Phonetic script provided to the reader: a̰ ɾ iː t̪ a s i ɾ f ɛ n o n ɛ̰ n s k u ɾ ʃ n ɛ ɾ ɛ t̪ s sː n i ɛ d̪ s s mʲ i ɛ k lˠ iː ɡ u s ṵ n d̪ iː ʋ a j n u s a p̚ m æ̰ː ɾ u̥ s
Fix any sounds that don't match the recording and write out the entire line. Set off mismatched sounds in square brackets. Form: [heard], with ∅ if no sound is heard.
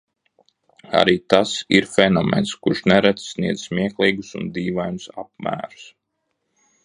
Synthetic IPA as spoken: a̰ ɾ iː t̪ a s i ɾ f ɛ n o [m] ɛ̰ n s k u ɾ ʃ n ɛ ɾ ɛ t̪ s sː n i ɛ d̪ [z] s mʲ i ɛ k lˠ iː ɡ u s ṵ n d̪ iː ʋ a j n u s a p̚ m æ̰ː ɾ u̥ s